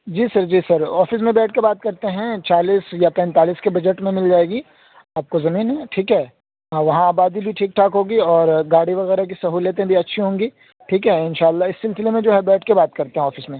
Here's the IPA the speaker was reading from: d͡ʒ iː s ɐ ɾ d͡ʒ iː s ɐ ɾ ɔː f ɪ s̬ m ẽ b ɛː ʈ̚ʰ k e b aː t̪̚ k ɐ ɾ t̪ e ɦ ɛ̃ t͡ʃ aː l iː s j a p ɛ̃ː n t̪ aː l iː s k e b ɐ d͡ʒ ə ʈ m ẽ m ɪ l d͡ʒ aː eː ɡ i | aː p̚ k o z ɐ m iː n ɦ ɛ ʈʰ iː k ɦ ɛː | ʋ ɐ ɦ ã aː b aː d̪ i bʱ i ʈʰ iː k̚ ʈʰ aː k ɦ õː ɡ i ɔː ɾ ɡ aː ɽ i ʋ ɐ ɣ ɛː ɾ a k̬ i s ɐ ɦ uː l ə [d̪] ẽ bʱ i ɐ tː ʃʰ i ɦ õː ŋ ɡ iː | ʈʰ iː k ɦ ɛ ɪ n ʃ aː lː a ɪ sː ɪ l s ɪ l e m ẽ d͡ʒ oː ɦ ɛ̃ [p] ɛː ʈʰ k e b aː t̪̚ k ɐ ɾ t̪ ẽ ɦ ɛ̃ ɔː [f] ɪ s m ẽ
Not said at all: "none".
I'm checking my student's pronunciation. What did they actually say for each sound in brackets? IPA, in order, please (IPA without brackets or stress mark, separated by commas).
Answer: t̪, b, f